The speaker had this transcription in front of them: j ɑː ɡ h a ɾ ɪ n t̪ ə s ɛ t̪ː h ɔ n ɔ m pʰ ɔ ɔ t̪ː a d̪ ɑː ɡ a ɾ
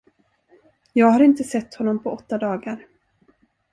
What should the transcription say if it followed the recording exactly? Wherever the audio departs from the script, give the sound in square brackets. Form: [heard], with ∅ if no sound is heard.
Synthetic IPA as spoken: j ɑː ɡ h a ɾ ɪ n t̪ ə s ɛ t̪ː h ɔ [nː] ɔ m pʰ ɔ ɔ t̪ː a d̪ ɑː ɡ a ɾ